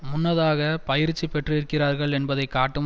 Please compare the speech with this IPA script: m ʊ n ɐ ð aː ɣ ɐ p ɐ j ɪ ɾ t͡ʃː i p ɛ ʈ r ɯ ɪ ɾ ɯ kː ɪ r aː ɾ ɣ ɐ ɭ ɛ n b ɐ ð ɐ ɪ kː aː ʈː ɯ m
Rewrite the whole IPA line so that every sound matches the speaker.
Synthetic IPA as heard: m ʊ nː ɐ ð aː ɣ ɐ p ɐ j ɪ ɾ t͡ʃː i p ɛ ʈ r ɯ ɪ ɾ ɯ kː ɪ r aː ɾ ɣ ɐ ɭ ɛ n b ɐ ð ɐ ɪ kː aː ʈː ɯ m